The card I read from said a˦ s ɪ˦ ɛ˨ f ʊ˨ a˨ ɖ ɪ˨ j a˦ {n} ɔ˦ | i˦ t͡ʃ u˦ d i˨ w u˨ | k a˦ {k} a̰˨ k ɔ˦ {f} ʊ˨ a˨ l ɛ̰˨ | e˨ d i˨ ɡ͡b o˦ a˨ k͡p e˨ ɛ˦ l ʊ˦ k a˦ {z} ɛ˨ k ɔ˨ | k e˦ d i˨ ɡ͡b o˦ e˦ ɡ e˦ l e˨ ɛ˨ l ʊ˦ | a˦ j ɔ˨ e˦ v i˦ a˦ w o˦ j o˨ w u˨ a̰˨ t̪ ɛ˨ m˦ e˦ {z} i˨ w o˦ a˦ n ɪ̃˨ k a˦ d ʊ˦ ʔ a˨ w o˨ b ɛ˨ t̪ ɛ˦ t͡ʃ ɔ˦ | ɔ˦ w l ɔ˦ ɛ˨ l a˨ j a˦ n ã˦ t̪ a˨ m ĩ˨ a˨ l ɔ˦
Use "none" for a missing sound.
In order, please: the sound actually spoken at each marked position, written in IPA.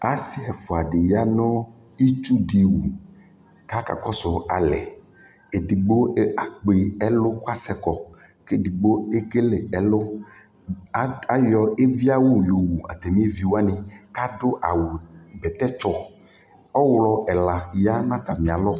n, k, s, s, v

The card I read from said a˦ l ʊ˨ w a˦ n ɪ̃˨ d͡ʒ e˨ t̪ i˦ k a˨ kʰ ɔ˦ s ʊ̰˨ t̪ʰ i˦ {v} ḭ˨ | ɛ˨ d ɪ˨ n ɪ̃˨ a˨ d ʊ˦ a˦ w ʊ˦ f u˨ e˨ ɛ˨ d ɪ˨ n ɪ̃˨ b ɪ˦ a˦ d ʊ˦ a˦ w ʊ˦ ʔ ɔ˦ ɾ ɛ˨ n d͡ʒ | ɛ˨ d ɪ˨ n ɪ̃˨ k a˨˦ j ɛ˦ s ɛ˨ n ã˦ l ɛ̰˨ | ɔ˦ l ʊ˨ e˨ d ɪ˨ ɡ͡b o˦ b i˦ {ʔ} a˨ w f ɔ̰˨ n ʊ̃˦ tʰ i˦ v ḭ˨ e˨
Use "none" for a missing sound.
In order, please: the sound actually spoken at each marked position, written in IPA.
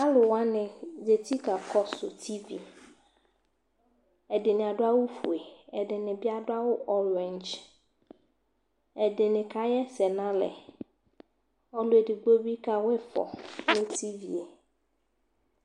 v, k

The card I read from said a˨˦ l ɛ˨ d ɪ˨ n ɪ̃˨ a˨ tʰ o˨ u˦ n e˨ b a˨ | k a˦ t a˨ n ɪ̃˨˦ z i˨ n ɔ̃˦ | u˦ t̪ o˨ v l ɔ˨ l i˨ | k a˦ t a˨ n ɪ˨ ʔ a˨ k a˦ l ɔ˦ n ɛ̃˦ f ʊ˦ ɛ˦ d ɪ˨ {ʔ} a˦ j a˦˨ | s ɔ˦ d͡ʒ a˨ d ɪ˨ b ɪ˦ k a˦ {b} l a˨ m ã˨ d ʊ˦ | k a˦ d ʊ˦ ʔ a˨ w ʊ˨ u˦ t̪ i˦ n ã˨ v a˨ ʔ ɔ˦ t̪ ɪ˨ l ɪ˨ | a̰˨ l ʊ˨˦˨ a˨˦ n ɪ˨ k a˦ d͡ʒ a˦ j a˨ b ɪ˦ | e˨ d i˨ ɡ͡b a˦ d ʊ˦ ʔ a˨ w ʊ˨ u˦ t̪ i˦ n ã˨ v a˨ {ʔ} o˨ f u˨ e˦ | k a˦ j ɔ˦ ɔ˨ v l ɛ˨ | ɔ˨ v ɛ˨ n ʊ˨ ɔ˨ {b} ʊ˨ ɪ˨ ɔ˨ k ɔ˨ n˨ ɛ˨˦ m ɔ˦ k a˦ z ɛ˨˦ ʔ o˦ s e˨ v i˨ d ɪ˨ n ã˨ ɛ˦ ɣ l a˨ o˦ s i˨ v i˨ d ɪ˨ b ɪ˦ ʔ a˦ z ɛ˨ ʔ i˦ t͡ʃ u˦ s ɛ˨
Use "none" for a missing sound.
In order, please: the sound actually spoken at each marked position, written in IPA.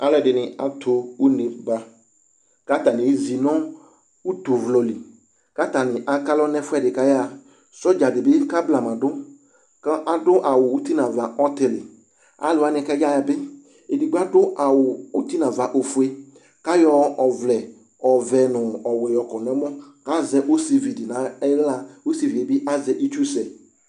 k, b, ʔ, w

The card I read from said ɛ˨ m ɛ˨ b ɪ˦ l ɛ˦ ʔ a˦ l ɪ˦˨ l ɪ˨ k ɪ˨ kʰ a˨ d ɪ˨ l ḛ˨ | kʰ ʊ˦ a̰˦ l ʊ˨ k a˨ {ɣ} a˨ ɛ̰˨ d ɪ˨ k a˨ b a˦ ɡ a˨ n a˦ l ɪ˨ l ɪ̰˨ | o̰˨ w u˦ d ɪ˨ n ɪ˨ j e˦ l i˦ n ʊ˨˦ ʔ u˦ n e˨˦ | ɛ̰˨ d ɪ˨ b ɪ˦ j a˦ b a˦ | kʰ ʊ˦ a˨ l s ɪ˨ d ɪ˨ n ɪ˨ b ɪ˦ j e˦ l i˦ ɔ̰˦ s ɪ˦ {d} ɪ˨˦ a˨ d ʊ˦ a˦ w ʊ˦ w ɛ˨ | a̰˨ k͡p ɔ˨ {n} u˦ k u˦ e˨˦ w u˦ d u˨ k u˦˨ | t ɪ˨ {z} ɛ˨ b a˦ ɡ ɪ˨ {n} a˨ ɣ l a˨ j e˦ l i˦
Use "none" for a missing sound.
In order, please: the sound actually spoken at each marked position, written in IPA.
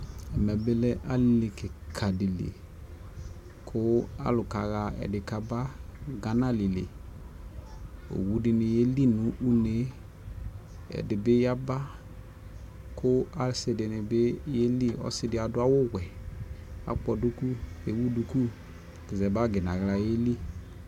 ɣ, d, d, z, n

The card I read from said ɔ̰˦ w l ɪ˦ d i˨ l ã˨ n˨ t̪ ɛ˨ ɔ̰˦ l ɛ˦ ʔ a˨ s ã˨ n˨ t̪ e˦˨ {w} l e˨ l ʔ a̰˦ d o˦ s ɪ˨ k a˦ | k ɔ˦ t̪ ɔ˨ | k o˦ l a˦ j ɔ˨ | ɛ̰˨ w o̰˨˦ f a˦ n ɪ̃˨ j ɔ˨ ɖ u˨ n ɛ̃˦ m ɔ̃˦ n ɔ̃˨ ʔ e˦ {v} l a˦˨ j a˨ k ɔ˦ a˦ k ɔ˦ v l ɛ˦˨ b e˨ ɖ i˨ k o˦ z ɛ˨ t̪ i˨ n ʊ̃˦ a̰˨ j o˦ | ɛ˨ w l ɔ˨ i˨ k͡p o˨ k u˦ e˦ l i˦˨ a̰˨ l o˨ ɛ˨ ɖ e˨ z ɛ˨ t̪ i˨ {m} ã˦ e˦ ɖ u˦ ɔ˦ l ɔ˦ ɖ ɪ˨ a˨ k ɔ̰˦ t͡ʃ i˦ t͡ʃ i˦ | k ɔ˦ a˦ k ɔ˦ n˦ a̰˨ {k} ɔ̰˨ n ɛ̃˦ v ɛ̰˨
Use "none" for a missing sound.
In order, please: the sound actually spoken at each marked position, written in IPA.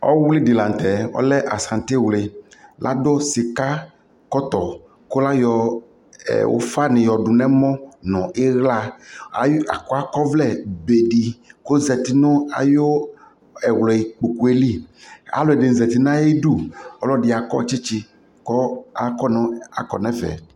w, ɣ, n, k

